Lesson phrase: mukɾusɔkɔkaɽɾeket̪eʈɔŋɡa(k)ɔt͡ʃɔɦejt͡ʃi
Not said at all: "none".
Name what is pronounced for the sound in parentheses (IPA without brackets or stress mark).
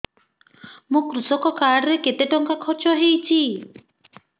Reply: kʰ